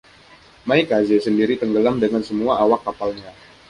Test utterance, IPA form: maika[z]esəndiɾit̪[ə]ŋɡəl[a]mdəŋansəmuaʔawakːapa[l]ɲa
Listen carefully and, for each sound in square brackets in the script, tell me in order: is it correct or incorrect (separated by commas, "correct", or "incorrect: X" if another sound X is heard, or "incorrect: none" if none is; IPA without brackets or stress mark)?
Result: correct, correct, correct, correct